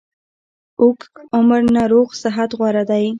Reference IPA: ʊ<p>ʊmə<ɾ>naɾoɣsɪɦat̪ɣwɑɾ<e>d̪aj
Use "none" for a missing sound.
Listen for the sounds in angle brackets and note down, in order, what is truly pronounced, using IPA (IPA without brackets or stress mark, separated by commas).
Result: k, ɾ, a